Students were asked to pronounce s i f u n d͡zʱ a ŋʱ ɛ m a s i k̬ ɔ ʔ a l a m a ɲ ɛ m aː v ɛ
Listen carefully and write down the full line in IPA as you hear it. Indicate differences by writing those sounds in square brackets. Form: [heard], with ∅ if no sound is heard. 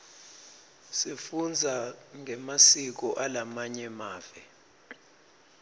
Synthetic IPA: s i f u n d͡zʱ a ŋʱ ɛ m a s i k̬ ɔ ʔ a l a m a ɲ ɛ m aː v ɛ